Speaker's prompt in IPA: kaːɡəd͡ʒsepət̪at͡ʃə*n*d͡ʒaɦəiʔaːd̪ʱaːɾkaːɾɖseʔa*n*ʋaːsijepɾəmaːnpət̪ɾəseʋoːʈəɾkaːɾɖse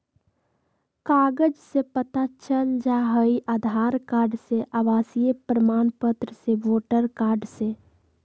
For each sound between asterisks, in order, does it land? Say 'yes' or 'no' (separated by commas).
yes, no